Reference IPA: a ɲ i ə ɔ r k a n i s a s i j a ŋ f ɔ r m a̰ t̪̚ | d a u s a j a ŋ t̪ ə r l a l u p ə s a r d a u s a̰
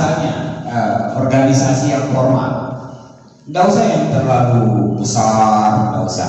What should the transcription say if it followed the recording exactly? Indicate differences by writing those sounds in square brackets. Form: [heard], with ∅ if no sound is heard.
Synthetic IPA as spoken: a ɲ [a] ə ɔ r [ɡ] a n i s a s i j a ŋ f ɔ r m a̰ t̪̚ | d a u s a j a ŋ t̪ ə r l a l u [b] ə s a r d a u s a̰